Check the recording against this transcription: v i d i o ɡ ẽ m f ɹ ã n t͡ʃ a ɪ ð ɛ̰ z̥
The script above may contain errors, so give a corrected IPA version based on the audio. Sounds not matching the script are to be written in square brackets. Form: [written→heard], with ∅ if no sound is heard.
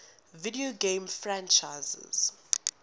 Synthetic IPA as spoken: v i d i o ɡ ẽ m f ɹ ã n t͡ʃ a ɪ [ð→z] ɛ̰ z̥